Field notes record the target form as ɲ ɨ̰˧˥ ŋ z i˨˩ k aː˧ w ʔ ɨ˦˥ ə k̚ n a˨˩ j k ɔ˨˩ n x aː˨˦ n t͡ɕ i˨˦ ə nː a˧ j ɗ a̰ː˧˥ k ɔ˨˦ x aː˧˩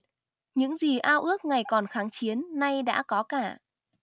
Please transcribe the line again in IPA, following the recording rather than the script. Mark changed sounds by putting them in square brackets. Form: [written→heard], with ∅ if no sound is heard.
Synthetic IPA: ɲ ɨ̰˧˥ ŋ z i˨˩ [k→ʔ] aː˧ w ʔ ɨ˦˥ ə k̚ [n→ŋ] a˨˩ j k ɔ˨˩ n x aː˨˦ [n→ŋ] t͡ɕ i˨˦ ə nː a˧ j ɗ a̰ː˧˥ k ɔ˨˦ [x→k] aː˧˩